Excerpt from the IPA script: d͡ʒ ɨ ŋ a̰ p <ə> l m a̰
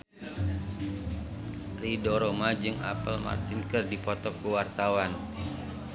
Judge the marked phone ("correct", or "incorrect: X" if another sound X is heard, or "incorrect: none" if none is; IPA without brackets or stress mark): correct